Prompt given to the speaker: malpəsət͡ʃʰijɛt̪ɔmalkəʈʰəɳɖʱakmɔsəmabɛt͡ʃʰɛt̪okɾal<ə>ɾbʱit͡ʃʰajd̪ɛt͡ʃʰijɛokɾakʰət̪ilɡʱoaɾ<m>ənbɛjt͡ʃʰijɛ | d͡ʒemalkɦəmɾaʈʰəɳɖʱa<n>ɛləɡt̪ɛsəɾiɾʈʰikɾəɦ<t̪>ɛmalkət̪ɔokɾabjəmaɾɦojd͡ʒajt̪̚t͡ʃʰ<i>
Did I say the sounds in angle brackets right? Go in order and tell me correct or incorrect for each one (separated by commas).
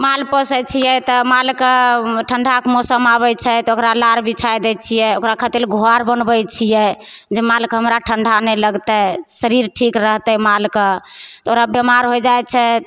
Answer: incorrect, incorrect, correct, correct, incorrect